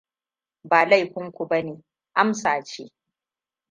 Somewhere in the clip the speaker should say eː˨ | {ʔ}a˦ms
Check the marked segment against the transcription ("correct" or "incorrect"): correct